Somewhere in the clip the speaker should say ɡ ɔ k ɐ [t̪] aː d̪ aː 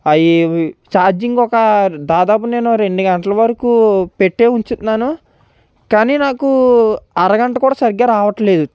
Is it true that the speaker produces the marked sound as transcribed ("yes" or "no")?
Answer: no